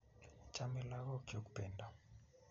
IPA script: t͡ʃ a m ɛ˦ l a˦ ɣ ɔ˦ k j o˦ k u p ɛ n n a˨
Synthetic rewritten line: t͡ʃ a m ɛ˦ l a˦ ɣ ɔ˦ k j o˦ k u p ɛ n d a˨